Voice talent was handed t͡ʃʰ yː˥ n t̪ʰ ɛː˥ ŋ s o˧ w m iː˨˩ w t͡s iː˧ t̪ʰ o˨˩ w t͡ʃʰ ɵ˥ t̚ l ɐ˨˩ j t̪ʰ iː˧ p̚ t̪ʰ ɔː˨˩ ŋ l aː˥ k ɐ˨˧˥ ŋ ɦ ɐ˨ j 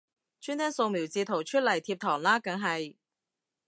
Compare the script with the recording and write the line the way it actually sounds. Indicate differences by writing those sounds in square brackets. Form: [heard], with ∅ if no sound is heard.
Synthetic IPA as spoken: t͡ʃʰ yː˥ n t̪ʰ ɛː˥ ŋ s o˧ w m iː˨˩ w t͡s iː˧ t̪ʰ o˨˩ w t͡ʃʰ ɵ˥ t̚ l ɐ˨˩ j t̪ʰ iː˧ p̚ t̪ʰ ɔː˨˩ ŋ l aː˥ k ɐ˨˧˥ ŋ ɦ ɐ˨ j